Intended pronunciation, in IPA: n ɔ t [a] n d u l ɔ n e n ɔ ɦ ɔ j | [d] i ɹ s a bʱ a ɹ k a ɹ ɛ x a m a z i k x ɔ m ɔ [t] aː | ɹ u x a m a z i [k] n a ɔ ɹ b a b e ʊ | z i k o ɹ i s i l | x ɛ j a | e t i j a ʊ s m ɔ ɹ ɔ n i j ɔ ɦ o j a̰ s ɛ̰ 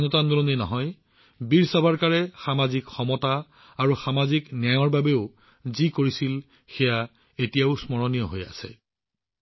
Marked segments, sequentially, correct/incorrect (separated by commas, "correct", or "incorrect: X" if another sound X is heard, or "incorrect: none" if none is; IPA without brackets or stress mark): correct, incorrect: b, correct, correct